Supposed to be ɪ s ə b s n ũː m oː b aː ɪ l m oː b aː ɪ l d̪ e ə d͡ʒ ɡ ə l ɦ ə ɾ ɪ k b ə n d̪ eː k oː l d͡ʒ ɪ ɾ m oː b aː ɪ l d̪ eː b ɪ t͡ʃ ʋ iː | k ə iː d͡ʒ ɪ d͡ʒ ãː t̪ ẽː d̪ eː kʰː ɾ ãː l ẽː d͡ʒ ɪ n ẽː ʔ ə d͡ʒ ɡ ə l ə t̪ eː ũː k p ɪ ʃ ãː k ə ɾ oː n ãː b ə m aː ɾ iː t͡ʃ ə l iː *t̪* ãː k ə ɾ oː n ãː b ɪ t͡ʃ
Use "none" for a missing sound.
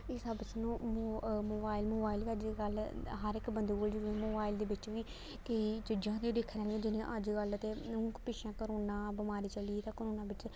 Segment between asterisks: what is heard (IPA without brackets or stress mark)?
t̪